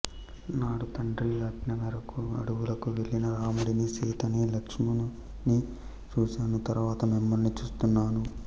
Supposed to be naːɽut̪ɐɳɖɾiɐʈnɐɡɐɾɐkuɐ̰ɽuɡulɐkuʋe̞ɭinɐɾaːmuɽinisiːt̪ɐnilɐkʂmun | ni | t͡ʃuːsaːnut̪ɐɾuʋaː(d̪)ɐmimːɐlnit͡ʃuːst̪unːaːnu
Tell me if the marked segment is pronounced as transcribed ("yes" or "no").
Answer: no